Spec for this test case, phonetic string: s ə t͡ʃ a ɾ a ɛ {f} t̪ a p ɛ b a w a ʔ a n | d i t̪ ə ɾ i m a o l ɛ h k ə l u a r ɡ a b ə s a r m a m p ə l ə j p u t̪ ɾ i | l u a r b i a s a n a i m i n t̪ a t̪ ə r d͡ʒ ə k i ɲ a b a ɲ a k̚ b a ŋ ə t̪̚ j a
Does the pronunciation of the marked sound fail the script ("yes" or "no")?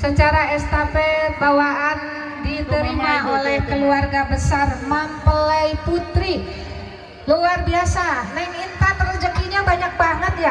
yes